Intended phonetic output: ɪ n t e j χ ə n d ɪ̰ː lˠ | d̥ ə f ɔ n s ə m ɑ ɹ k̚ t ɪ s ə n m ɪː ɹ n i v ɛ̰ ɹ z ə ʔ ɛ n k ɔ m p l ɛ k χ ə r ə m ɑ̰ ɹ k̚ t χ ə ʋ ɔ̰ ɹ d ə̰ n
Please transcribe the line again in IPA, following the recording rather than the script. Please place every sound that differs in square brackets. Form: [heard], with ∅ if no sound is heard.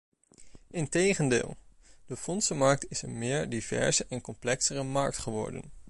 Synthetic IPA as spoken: ɪ n t e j χ ə n d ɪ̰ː lˠ | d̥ ə f ɔ n s ə m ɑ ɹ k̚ t ɪ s ə n m ɪː ɹ [d] i v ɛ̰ ɹ z ə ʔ ɛ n k ɔ m p l ɛ k [s] ə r ə m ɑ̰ ɹ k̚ t χ ə ʋ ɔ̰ ɹ d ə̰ n